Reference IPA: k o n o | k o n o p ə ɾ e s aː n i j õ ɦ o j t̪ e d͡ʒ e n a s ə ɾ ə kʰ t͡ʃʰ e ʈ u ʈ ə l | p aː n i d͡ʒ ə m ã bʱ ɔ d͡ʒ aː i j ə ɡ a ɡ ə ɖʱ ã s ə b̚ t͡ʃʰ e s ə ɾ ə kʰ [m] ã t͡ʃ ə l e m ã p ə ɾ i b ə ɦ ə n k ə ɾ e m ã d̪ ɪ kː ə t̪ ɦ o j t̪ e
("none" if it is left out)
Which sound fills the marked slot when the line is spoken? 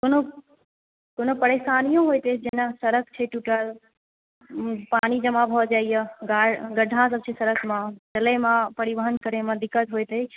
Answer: m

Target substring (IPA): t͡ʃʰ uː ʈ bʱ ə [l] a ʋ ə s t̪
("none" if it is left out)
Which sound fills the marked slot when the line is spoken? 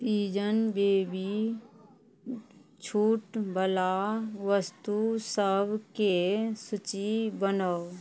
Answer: l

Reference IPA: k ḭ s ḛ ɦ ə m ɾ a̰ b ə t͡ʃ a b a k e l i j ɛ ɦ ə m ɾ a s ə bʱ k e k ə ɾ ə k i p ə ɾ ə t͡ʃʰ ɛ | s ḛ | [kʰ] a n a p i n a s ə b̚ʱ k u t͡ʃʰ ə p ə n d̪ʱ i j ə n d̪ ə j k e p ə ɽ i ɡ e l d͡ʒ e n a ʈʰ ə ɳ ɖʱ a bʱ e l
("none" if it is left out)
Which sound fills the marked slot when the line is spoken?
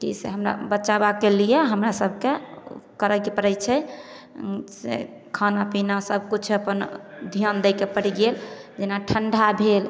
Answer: kʰ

